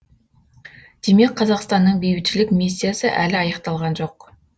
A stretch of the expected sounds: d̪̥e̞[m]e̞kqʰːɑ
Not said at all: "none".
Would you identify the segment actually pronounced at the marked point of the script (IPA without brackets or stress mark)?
m